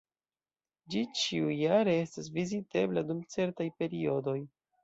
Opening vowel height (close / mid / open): close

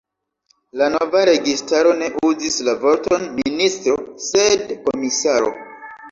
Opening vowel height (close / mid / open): open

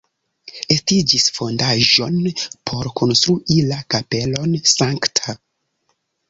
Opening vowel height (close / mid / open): mid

